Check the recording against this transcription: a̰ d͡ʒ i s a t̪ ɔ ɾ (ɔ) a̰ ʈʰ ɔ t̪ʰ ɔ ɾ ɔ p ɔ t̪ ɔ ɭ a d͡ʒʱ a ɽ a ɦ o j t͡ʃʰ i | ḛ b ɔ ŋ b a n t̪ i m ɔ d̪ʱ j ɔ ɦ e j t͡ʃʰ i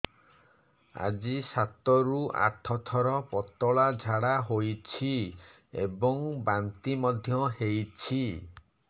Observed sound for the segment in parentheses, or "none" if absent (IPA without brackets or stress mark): u